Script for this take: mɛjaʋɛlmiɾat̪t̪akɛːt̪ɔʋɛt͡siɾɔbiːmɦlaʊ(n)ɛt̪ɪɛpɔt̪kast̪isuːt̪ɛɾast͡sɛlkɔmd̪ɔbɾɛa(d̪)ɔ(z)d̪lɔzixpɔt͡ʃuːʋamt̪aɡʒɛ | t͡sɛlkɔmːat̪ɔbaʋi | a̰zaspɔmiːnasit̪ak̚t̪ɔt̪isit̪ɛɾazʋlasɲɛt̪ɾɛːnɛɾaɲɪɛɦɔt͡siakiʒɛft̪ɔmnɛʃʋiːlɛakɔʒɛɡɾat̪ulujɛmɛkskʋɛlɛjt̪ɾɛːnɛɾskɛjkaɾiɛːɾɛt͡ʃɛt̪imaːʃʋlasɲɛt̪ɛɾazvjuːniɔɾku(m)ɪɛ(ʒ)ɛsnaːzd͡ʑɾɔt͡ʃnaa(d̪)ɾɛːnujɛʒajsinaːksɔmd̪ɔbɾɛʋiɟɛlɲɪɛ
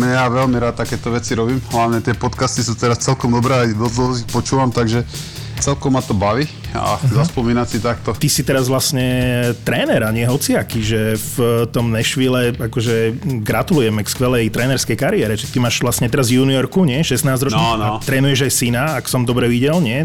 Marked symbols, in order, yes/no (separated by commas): no, yes, yes, no, no, no